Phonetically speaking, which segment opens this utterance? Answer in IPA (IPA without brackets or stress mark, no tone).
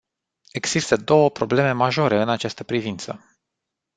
e̞